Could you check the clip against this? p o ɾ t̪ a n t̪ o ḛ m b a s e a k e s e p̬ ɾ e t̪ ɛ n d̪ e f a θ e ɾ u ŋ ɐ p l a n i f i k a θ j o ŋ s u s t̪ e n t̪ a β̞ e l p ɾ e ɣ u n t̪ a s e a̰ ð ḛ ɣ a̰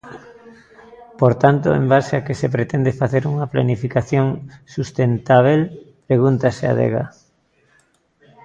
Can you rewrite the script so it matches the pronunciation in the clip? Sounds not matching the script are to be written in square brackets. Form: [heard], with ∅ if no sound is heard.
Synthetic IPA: p o ɾ t̪ a n t̪ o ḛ m b a s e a k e s e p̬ ɾ e t̪ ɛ n d̪ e f a θ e ɾ u ŋ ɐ p l a n i f i k a θ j o ŋ s u s t̪ e n t̪ a β̞ e l p ɾ e ɣ u n t̪ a s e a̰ ð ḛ ɣ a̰